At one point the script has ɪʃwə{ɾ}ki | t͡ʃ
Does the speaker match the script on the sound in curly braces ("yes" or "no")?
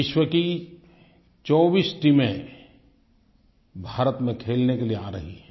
no